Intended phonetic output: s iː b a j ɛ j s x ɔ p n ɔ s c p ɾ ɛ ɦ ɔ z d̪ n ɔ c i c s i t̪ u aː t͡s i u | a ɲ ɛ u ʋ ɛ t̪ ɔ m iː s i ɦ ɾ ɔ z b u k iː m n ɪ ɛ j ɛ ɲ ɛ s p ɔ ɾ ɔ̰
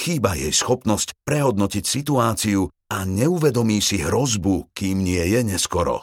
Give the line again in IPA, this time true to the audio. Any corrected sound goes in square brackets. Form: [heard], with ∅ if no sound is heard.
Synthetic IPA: [x] iː b a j ɛ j s x ɔ p n ɔ s c p ɾ ɛ ɦ ɔ [∅] d̪ n ɔ c i c s i t̪ u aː t͡s i u | a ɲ ɛ u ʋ ɛ [d̪] ɔ m iː s i ɦ ɾ ɔ z b u k iː m [ɲ] ɪ ɛ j ɛ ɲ ɛ s [k] ɔ ɾ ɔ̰